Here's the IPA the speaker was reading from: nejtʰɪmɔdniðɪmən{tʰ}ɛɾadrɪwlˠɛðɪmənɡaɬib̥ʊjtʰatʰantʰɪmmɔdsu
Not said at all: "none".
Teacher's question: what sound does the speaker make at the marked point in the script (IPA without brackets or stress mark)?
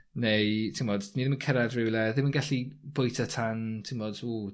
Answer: kʰ